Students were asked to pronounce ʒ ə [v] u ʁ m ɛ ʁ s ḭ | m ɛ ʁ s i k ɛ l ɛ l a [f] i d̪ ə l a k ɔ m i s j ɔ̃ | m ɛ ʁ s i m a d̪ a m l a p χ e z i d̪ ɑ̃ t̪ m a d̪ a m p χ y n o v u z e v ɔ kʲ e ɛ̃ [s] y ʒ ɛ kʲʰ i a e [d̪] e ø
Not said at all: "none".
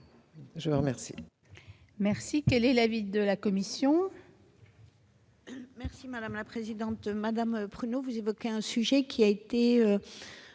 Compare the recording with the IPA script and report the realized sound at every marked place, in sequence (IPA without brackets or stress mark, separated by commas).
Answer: v, v, s, t̪